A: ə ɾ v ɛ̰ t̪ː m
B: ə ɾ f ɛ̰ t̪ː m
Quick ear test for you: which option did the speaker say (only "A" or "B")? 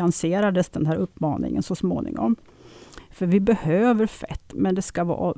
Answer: B